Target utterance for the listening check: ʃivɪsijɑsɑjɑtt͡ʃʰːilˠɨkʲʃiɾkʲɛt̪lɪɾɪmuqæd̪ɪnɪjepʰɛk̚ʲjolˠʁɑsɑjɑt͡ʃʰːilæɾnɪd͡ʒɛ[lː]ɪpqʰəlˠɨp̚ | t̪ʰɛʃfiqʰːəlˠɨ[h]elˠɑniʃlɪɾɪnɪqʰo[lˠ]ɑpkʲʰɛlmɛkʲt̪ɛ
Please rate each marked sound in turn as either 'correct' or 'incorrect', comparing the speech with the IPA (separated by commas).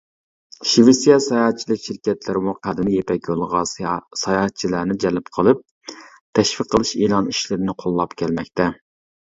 incorrect, incorrect, incorrect